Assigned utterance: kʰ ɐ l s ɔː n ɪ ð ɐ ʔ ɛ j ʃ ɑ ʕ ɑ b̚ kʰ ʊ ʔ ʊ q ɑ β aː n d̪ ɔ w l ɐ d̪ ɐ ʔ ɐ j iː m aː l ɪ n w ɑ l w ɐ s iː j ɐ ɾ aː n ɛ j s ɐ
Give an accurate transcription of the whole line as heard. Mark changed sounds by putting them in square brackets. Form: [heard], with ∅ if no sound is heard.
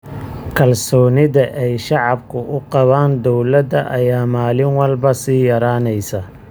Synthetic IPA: kʰ ɐ l s ɔː n ɪ ð ɐ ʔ ɛ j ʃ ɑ ʕ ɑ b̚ kʰ ʊ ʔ ʊ q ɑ β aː n d̪ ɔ w l ɐ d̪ ɐ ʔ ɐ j [aː] m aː l ɪ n w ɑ l [b] ɐ s iː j ɐ ɾ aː n ɛ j s ɐ